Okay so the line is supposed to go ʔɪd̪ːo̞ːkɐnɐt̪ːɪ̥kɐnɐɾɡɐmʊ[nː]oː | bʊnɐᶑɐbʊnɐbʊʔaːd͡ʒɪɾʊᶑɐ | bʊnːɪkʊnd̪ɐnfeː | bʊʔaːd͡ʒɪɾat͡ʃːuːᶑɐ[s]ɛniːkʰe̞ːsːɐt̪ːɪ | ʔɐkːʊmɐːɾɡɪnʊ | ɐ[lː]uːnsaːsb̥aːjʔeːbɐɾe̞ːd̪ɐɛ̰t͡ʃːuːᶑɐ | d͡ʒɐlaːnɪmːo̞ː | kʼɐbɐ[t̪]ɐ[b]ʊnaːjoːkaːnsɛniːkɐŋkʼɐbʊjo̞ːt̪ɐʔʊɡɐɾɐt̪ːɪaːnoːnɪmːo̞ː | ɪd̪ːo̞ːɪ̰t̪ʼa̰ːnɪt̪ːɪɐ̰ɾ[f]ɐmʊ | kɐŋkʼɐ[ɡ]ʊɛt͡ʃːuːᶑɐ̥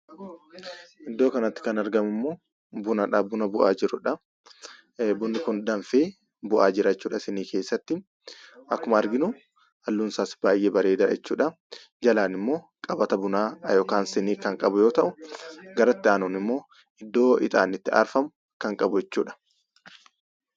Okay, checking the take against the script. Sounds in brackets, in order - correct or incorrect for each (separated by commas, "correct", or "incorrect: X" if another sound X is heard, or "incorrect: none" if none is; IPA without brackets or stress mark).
incorrect: mː, correct, correct, correct, correct, correct, incorrect: b